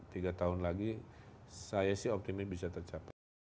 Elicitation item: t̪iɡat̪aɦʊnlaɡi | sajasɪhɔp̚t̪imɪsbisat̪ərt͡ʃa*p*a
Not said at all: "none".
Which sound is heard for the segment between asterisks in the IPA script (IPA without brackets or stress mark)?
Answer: p